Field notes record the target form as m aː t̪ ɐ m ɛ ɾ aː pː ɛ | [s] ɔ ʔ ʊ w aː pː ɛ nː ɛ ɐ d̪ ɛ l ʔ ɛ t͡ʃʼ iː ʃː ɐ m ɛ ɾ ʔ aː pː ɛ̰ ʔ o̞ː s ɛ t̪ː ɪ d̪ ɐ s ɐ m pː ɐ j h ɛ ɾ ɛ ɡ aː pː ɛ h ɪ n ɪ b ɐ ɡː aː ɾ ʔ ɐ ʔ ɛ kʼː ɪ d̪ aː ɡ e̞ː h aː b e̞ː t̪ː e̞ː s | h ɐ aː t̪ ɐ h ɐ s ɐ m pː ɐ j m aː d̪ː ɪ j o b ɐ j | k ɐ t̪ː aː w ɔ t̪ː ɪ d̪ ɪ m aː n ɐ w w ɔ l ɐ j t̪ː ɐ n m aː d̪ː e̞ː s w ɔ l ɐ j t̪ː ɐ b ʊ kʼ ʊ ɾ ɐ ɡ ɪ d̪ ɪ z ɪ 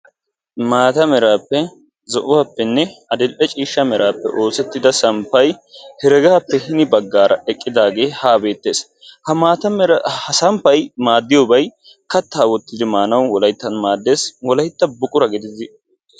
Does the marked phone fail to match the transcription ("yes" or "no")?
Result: yes